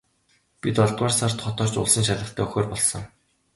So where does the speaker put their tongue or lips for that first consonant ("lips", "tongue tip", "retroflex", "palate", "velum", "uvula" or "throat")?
lips